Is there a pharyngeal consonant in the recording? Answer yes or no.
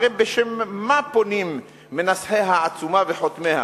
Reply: yes